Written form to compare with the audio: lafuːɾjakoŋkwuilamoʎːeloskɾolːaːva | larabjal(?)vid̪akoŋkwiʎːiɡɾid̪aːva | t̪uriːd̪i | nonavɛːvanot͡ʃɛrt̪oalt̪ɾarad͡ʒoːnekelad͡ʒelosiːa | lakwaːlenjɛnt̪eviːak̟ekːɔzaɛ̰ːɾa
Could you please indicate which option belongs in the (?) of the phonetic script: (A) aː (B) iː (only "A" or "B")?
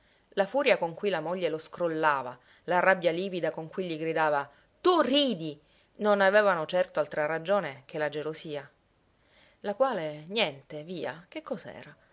B